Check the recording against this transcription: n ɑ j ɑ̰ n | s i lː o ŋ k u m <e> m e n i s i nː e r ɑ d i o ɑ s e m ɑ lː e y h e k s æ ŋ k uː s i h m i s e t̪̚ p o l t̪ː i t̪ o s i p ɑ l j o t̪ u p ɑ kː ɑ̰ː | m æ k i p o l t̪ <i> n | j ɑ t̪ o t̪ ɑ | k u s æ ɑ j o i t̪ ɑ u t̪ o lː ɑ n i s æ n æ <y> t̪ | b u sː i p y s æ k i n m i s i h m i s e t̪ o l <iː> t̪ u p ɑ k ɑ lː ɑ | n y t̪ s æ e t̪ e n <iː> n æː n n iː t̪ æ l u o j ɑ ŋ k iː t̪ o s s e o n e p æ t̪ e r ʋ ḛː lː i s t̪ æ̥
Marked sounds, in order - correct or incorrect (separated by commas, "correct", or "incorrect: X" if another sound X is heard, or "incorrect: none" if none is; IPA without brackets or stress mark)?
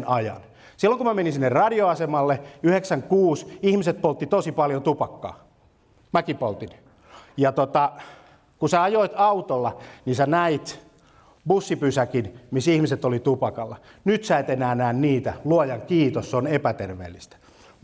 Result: incorrect: æ, correct, incorrect: i, incorrect: i, incorrect: æː